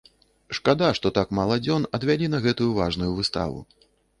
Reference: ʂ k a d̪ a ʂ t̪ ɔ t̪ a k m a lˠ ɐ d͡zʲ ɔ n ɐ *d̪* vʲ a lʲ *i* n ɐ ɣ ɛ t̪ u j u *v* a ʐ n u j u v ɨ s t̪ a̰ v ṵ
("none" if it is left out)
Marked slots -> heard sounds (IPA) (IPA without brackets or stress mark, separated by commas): d̪, i, v